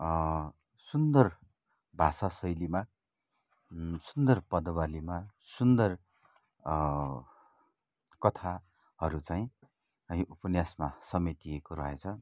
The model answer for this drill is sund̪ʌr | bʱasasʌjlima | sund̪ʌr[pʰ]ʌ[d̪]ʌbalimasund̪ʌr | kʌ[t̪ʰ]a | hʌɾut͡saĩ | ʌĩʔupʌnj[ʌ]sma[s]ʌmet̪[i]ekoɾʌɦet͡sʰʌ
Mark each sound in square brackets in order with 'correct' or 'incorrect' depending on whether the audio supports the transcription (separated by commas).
incorrect, correct, correct, incorrect, correct, correct